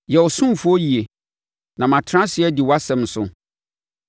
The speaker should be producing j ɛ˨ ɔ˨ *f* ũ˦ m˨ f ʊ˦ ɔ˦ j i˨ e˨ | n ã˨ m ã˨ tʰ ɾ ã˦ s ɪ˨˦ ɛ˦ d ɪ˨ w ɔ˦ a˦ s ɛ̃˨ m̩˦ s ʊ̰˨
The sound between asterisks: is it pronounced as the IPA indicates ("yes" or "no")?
no